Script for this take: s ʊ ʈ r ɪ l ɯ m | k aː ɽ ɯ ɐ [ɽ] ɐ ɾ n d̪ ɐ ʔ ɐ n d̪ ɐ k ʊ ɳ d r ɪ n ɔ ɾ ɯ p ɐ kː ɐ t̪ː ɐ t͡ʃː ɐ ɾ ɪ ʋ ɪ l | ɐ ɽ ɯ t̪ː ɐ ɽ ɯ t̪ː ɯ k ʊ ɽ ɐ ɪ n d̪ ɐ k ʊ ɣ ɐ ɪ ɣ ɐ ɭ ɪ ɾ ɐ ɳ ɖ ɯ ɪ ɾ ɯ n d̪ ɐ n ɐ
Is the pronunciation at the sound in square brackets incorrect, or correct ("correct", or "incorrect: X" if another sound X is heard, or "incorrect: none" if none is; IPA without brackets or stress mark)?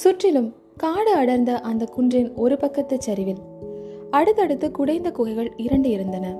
correct